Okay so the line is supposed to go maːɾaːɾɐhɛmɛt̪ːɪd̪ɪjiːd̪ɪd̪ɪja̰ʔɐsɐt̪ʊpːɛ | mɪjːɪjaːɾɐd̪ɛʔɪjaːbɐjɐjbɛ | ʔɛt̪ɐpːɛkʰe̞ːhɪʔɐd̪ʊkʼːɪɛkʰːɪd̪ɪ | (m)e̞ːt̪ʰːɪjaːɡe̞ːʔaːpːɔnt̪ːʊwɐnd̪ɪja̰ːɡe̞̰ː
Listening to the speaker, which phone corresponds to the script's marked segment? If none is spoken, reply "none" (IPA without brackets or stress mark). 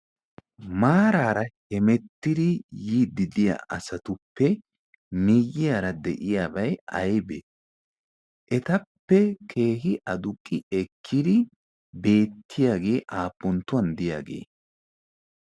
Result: b